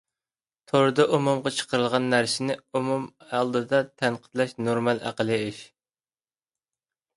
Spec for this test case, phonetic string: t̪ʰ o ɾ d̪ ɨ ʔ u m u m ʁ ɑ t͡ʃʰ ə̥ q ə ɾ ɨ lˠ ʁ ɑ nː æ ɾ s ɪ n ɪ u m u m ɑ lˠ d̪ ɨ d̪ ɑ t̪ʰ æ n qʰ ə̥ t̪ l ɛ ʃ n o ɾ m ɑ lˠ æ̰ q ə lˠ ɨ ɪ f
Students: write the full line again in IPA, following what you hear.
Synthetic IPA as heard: t̪ʰ o ɾ d̪ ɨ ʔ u m u m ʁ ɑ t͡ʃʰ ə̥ q ə ɾ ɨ lˠ ʁ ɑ nː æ ɾ s ɪ n ɪ u m u m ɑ lˠ d̪ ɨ d̪ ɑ t̪ʰ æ n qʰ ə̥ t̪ l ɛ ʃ n o ɾ m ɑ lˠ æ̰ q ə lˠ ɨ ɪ ʃ

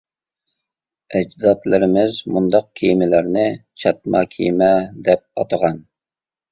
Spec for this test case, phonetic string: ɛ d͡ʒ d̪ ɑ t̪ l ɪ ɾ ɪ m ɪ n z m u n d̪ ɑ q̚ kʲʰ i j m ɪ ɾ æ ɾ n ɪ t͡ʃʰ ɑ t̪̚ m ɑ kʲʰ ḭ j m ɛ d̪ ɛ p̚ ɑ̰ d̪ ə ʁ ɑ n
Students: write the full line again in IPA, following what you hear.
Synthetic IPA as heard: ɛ d͡ʒ d̪ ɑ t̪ l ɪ ɾ ɪ m ɪ z m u n d̪ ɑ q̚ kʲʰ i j m ɪ l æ ɾ n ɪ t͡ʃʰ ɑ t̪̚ m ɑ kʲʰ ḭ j m ɛ d̪ ɛ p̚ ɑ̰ t̪ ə ʁ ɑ n

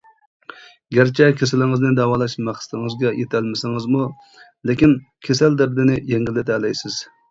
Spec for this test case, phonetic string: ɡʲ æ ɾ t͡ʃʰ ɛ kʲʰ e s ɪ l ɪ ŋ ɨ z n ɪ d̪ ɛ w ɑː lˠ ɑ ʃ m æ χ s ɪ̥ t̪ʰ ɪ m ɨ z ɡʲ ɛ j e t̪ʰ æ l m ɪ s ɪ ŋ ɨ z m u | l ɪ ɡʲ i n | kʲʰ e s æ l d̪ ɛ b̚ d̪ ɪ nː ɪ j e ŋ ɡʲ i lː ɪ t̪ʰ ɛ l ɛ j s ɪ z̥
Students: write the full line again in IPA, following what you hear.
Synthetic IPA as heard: ɡʲ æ ɾ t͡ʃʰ ɛ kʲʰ e s ɪ l ɪ ŋ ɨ z n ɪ d̪ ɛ w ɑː lˠ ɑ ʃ m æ χ s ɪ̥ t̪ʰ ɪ ŋ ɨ z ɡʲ ɛ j e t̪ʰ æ l m ɪ s ɪ ŋ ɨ z m u | l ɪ kʲ i n | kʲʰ e s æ l d̪ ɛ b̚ d̪ ɪ n ɪ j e ŋ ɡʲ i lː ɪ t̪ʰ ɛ l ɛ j s ɪ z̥

